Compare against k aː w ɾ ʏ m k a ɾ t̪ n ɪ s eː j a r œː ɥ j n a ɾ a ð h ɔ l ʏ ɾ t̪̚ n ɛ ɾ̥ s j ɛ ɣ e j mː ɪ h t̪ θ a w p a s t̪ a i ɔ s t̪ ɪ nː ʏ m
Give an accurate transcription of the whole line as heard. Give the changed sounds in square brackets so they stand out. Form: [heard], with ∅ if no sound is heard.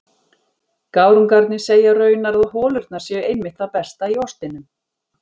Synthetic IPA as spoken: k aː w ɾ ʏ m k a ɾ t̪ n ɪ s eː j a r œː ɥ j n a ɾ a ð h [ɔː] l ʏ ɾ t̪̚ n [a] ɾ̥ s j ɛ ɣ e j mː ɪ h t̪ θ a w p [ɛ] s t̪ a i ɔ s t̪ ɪ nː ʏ m

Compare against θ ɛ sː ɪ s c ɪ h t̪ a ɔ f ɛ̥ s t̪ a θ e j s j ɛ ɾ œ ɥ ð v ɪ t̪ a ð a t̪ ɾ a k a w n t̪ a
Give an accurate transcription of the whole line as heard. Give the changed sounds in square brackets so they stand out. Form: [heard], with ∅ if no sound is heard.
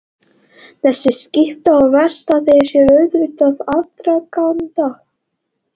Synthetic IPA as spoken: θ ɛ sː ɪ s c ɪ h t̪ a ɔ [v] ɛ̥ s t̪ a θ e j s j ɛ ɾ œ ɥ ð v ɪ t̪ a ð a t̪ ɾ a k a w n t̪ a

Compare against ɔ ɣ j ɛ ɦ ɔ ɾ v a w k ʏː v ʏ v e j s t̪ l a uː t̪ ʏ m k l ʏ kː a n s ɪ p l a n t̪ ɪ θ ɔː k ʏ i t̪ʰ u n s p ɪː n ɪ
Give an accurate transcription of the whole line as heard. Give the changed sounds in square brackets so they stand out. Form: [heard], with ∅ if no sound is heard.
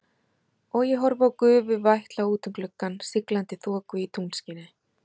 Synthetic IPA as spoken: ɔ ɣ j ɛ ɦ ɔ ɾ v a w k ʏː v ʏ v [a] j [h] t̪ l a uː t̪ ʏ m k l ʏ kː a n s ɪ [k] l a n t̪ ɪ θ ɔː k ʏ i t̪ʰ u n s [c] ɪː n ɪ

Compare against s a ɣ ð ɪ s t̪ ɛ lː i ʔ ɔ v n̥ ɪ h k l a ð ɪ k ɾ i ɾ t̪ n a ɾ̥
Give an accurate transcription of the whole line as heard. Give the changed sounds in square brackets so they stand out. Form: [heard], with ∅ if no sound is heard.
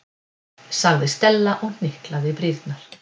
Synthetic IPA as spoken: s a ɣ ð ɪ s t̪ ɛ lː [a] ʔ ɔ [ɣ] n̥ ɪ h k l a ð ɪ [p] ɾ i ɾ t̪ n a ɾ̥

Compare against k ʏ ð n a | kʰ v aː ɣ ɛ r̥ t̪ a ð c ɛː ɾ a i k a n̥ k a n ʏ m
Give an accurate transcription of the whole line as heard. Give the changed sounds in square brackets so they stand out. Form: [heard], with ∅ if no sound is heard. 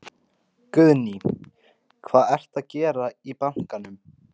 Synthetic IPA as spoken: k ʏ ð n [i] | kʰ v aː [ð] ɛ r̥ t̪ a ð c ɛː ɾ a i [p] a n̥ k a n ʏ m

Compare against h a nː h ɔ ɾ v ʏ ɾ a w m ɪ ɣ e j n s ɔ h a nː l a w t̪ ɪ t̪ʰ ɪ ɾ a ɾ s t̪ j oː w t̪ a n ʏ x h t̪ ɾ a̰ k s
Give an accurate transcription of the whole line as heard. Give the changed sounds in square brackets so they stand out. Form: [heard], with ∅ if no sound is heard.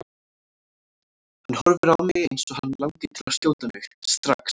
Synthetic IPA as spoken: h a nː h ɔ ɾ v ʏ ɾ a w m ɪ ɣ e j n s ɔ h a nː l a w t̪ ɪ t̪ʰ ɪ [l] a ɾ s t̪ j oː w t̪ a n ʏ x [s] t̪ ɾ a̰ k s

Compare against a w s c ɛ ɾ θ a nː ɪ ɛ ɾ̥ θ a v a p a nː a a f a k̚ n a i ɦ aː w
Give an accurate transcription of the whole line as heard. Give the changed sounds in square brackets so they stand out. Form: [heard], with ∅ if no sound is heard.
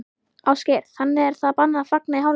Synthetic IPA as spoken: a w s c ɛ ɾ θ a nː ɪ ɛ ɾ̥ θ a [ð] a p a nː a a f a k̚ n a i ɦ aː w

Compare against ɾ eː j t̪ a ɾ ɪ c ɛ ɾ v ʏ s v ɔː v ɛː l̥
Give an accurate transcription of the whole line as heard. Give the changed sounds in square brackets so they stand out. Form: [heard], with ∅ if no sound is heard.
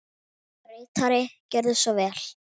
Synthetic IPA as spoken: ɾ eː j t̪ a ɾ ɪ c ɛ ɾ [ð] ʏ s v [ɔ] v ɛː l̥

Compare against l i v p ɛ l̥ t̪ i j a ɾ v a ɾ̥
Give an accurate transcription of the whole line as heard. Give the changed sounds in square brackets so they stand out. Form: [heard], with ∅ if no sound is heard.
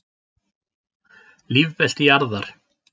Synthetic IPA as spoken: l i v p ɛ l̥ t̪ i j a ɾ [ð] a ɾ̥

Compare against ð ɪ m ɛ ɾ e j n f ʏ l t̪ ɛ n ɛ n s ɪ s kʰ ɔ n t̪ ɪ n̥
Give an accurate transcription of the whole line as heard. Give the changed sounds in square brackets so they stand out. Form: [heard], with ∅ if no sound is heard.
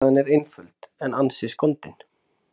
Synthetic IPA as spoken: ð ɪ [n] ɛ ɾ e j n f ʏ l t̪ ɛ n [a] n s ɪ s [k] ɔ n t̪ ɪ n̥

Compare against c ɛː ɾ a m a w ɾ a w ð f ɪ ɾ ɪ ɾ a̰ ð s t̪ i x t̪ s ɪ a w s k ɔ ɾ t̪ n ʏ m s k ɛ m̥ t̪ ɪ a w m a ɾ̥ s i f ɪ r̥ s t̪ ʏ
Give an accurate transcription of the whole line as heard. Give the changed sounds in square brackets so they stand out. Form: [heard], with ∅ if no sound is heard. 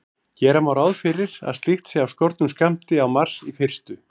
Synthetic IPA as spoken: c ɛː ɾ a m a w ɾ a w ð f ɪ ɾ ɪ ɾ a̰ ð s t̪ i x t̪ s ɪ a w s k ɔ ɾ t̪ n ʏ m s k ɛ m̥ t̪ ɪ a w m a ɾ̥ s i f ɪ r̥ s t̪ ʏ

